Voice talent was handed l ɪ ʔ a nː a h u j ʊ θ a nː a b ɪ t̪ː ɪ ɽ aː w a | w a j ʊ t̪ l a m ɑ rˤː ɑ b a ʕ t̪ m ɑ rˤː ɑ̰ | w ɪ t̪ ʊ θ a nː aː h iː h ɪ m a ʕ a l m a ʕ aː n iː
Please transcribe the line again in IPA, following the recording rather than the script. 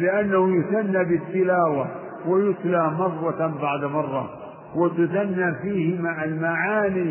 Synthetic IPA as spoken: l ɪ ʔ a nː a h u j ʊ θ a nː a b ɪ t̪ː ɪ l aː w a | w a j ʊ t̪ l a m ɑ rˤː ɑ b a ʕ d̪ m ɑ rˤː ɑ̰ | w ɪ t̪ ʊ θ a nː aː f iː h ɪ m a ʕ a l m a ʕ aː n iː